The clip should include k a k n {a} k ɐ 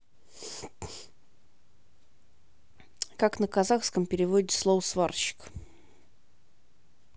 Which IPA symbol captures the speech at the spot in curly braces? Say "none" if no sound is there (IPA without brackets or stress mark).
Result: ə